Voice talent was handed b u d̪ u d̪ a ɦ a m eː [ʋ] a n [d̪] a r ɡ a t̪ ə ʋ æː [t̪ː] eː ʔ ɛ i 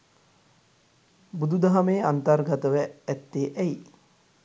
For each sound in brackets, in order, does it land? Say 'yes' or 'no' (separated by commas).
no, no, yes